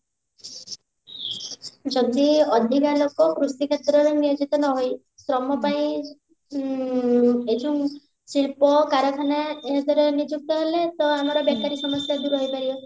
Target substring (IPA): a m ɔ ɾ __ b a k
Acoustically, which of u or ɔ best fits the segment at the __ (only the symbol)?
ɔ